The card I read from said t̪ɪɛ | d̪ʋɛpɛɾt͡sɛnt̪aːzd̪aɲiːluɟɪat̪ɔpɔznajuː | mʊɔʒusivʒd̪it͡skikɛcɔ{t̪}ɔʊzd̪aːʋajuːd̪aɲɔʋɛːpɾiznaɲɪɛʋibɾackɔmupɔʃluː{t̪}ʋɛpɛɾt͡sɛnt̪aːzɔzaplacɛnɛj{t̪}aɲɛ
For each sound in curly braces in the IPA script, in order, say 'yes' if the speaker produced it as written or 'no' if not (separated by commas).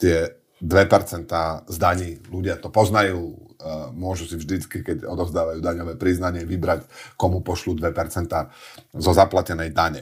no, no, no